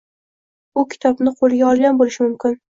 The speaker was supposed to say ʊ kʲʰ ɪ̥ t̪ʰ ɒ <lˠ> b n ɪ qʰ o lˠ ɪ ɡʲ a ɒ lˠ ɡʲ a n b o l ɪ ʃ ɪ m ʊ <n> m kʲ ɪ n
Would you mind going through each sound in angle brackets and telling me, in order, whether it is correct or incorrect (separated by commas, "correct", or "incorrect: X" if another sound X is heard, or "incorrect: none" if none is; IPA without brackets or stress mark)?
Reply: incorrect: none, incorrect: none